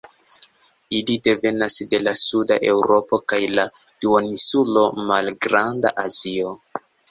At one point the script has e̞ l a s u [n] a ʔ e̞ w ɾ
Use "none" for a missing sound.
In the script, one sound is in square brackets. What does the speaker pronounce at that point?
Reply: d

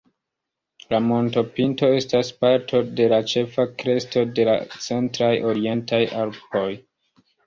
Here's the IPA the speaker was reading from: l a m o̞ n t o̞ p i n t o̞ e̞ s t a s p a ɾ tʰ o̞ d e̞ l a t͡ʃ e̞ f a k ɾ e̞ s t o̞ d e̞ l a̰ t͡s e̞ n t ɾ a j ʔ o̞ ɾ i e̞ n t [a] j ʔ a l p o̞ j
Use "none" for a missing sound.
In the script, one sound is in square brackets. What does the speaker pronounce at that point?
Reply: a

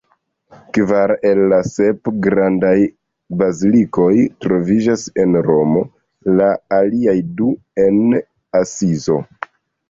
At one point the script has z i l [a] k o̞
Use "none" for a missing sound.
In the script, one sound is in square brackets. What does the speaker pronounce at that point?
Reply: i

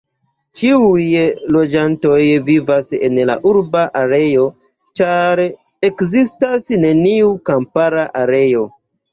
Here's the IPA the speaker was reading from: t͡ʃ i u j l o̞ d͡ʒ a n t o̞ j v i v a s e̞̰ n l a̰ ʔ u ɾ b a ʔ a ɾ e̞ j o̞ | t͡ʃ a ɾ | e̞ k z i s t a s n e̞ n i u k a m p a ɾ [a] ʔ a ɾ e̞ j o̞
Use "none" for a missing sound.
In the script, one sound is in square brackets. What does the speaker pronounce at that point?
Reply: a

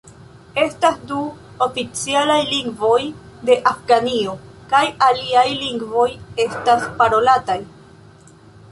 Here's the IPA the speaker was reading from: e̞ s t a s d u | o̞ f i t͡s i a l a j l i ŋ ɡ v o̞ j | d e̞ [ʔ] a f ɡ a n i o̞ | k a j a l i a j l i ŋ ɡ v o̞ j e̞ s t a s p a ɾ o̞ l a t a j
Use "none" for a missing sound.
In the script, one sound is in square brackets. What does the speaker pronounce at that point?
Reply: ʔ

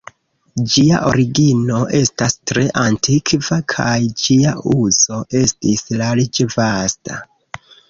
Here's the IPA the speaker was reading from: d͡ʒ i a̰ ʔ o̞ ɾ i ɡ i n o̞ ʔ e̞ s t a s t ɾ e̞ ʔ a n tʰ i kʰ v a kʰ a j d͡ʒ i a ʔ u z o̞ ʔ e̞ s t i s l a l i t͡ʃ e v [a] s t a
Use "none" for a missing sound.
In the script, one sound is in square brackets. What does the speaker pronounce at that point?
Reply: a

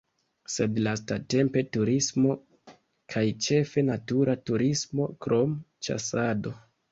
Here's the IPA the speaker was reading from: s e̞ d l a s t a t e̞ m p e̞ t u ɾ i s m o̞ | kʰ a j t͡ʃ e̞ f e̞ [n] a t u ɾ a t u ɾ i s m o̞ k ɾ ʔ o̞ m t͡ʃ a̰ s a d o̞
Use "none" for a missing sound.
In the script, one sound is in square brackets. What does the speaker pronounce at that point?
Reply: n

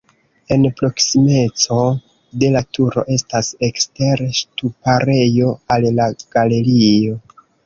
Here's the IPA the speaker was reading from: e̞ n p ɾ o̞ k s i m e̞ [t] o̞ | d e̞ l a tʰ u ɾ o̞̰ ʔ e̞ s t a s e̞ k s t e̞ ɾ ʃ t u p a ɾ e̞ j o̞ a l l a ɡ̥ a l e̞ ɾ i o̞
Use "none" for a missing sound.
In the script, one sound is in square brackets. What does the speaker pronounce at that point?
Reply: t͡s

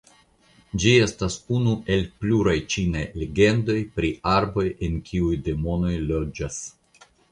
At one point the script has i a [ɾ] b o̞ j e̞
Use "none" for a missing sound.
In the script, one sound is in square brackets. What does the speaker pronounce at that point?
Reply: ɾ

